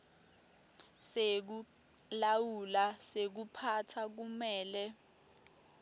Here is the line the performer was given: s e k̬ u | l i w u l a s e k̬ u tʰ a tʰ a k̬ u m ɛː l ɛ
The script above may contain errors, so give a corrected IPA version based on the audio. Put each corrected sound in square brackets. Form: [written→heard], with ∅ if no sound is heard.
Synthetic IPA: s e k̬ u | l [i→a] w u l a s e k̬ u [tʰ→pʰ] a tʰ a k̬ u m ɛː l ɛ